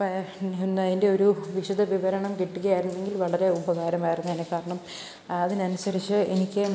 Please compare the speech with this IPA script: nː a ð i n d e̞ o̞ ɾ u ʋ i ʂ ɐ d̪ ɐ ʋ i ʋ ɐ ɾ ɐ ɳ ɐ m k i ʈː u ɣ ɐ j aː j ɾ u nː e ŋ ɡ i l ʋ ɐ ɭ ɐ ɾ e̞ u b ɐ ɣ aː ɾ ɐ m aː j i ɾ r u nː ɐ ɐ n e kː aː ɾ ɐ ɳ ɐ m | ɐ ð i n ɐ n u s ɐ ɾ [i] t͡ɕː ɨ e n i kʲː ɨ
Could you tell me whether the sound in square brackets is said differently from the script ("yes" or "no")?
no